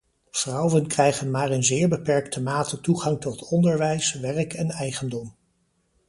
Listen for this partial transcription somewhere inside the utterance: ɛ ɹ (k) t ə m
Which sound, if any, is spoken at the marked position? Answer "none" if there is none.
k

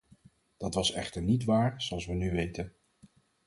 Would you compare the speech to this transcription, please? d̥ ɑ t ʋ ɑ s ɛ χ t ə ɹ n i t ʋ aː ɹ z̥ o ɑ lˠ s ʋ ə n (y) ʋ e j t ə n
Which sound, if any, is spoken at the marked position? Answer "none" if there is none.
y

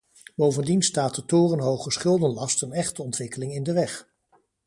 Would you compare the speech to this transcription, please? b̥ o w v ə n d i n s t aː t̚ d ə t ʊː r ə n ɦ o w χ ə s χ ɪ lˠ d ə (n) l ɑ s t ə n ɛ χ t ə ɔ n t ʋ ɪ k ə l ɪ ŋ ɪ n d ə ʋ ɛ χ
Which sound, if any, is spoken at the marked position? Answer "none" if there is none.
n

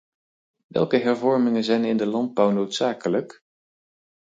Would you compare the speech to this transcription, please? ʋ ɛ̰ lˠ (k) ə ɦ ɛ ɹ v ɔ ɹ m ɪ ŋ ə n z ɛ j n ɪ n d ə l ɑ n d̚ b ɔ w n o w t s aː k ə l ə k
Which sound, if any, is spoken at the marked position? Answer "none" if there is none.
k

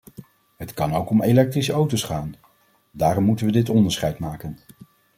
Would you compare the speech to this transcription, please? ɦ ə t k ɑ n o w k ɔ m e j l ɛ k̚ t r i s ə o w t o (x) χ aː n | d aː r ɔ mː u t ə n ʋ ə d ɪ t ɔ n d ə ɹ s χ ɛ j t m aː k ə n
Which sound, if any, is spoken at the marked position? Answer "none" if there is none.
s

